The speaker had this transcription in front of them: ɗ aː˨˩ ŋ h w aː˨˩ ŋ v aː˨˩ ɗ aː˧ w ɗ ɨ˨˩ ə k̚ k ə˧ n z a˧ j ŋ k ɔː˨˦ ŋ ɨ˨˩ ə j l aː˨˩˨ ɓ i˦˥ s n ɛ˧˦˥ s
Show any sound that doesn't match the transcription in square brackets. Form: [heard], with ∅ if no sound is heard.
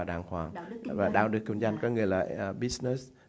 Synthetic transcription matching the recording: ɗ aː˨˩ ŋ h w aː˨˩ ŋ v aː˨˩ ɗ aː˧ w ɗ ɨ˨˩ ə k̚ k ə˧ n z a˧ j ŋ k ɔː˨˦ ŋ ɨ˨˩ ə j l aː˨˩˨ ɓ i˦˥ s n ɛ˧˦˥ s